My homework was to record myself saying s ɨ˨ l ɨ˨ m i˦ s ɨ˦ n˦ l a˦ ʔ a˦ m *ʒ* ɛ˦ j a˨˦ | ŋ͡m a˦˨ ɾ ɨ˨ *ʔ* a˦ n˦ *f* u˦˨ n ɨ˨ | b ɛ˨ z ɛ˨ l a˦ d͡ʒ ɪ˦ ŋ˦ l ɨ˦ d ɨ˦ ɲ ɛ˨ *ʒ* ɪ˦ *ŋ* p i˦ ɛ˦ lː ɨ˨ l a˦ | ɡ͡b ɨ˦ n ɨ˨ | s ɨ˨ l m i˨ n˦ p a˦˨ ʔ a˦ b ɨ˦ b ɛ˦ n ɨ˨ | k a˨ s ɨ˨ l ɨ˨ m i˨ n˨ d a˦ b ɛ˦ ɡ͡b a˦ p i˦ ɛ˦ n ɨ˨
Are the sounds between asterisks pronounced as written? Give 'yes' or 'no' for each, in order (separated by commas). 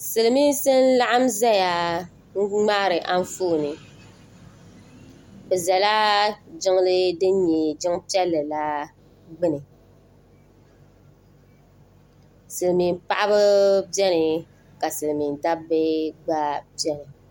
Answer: no, yes, yes, no, yes